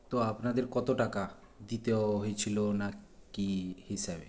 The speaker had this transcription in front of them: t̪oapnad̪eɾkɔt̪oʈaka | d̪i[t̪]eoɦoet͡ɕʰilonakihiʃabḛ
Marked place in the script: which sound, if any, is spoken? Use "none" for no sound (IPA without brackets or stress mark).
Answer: t̪